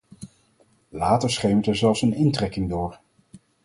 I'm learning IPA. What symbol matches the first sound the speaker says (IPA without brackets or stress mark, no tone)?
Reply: l